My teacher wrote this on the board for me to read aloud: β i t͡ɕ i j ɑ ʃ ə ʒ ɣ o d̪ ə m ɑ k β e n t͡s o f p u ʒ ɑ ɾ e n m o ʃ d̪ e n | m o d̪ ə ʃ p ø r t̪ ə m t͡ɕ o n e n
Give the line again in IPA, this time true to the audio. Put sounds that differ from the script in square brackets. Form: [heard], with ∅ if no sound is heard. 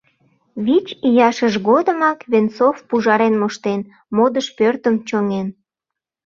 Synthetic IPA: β i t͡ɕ i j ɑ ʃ ə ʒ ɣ o d̪ ə m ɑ k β e n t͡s o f p u ʒ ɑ ɾ e n m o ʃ [t̪] e n | m o d̪ ə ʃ p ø r t̪ ə m t͡ɕ o [ŋ] e n